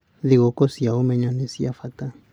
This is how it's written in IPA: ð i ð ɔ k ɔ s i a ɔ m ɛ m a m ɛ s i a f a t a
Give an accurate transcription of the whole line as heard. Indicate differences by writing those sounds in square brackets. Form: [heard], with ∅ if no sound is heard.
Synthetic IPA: ð i [ɣ] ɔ k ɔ s i a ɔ m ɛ [ɲ] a [n] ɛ s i a f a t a